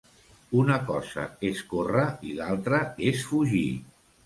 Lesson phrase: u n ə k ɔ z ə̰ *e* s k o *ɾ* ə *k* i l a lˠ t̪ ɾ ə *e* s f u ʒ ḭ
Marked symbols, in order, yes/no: yes, no, no, yes

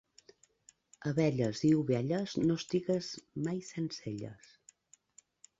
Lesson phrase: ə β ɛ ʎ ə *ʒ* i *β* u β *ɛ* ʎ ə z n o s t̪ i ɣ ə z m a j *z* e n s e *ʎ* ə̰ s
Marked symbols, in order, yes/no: no, no, yes, no, yes

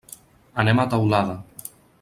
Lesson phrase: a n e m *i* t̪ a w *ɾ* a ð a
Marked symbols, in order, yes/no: no, no

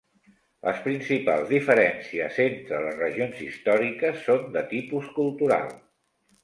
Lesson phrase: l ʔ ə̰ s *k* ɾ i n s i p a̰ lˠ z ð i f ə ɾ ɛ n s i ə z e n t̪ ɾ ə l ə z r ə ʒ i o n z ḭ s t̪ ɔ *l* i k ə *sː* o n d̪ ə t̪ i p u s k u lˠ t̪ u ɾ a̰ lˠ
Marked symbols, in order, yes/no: no, no, yes

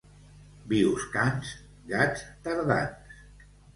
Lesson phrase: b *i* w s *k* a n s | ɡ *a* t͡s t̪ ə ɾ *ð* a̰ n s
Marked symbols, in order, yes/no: yes, yes, yes, yes

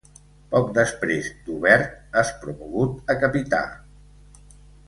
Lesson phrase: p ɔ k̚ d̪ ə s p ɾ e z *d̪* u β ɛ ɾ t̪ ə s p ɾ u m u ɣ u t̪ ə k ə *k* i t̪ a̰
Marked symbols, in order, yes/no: yes, no

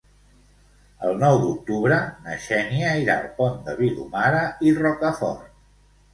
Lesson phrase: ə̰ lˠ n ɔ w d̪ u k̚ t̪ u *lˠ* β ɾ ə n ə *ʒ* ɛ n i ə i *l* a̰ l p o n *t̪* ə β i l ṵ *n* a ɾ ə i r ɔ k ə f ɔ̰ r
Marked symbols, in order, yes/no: no, no, no, no, no

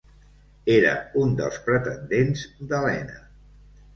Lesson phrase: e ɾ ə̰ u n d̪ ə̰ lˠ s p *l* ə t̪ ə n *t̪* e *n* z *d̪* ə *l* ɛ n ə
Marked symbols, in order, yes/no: no, no, yes, yes, yes

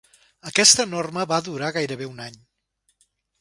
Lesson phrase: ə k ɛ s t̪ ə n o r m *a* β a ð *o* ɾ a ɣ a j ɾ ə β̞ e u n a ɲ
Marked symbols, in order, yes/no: no, no

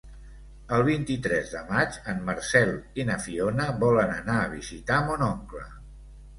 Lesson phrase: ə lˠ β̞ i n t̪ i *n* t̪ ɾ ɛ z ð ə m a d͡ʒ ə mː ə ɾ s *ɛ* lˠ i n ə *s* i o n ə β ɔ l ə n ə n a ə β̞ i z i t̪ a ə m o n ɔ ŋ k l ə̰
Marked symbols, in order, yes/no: no, yes, no

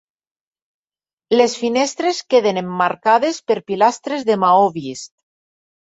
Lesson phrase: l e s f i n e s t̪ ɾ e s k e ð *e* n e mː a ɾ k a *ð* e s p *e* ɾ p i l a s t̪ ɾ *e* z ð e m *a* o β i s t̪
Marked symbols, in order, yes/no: yes, yes, yes, yes, yes

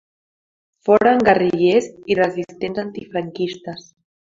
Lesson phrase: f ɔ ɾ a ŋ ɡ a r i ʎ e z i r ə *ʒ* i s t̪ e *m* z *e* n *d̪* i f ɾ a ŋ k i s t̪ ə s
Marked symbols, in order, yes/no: no, no, no, no

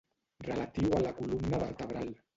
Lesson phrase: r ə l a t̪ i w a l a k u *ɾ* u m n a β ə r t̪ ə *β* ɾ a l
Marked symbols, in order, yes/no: no, yes

